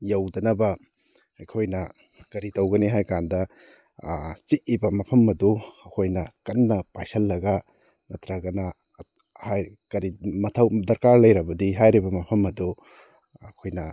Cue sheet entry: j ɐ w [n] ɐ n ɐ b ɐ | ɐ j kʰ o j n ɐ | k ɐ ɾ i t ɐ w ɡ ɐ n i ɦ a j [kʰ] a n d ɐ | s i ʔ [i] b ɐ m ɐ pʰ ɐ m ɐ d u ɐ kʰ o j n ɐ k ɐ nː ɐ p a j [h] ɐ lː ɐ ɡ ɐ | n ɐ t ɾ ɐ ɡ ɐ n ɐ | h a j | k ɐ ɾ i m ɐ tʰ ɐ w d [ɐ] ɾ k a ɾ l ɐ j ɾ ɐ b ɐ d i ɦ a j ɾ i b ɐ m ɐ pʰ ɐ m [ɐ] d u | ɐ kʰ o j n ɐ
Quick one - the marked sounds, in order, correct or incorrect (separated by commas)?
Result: incorrect, incorrect, correct, incorrect, correct, correct